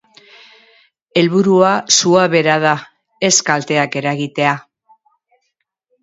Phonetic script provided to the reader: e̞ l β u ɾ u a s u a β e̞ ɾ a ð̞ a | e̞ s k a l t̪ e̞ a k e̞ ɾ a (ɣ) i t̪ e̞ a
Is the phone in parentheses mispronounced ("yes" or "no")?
no